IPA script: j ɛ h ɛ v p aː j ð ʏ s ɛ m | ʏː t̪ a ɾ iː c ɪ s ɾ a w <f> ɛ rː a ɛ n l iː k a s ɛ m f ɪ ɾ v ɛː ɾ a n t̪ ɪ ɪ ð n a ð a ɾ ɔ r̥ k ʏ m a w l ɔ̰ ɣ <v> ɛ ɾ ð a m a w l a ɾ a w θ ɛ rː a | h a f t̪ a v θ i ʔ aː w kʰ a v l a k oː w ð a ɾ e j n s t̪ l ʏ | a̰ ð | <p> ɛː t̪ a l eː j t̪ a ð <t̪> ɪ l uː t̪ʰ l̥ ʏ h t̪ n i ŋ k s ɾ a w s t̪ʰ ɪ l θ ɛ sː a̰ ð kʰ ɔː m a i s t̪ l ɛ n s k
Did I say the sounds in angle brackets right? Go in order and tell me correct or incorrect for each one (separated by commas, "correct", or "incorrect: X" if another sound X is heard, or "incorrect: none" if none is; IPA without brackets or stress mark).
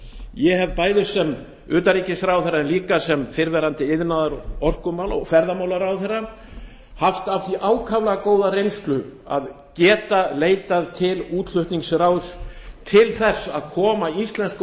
incorrect: θ, incorrect: f, incorrect: c, incorrect: t̪ʰ